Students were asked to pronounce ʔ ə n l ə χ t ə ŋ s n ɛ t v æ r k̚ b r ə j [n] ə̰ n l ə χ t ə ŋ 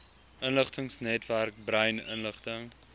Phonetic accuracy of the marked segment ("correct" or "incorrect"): correct